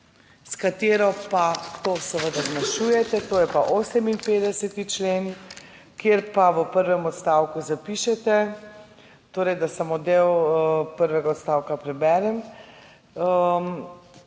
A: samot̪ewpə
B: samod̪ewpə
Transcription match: B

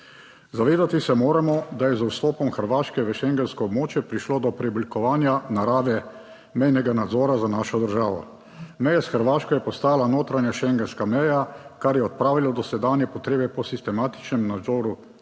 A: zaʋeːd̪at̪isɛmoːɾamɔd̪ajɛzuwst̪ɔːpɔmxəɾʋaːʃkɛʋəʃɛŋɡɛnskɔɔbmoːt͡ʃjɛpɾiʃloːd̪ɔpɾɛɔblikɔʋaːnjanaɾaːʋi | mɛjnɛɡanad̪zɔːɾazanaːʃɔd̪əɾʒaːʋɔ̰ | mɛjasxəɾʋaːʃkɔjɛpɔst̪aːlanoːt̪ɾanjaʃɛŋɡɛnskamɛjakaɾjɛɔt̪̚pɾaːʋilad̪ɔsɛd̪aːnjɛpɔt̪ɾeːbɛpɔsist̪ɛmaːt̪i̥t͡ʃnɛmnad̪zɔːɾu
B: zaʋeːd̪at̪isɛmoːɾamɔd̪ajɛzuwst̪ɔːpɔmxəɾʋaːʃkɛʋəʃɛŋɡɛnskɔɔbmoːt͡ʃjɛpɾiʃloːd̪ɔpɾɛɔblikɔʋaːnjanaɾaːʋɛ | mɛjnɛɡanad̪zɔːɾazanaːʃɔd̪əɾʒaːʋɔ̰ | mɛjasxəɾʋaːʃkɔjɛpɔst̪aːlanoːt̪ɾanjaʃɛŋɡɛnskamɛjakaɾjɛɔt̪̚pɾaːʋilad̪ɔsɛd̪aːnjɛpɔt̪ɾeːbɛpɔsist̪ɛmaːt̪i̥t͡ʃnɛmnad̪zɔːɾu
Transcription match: B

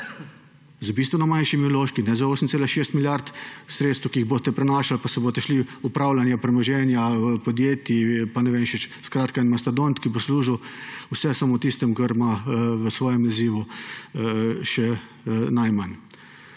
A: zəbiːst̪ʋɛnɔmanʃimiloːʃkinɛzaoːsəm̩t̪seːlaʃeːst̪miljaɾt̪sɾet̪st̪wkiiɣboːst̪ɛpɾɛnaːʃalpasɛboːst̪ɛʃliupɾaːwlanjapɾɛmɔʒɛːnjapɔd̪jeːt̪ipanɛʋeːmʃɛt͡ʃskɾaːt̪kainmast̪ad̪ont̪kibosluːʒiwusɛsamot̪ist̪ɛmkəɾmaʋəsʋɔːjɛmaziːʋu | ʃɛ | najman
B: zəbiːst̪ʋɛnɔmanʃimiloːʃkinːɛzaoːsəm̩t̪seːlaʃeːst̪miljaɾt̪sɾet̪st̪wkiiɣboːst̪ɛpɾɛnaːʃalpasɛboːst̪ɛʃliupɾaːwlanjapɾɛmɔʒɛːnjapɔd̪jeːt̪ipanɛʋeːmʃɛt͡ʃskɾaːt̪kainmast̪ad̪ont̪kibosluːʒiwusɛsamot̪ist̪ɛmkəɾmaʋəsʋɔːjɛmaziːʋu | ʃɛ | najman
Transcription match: A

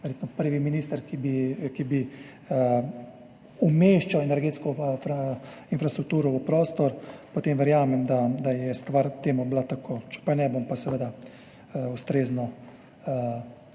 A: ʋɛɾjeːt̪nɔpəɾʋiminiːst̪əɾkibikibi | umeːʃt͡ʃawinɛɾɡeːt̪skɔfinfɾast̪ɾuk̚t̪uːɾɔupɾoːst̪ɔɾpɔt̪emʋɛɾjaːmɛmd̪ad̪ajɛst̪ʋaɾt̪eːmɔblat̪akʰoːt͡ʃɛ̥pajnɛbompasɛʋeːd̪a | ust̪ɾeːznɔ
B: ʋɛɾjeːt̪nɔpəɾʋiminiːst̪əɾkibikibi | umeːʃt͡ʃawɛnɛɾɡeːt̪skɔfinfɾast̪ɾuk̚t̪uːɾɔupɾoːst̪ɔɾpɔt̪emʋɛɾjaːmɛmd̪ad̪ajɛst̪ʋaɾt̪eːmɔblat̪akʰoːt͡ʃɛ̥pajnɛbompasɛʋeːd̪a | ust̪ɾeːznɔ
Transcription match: B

